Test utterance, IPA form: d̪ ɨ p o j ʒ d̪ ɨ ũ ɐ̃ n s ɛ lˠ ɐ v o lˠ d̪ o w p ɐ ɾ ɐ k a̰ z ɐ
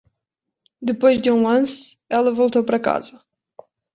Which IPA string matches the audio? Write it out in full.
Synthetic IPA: d̪ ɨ p o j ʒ d̪ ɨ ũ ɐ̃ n s ɛ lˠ ɐ v o lˠ t̪ o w p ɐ ɾ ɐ k a̰ z ɐ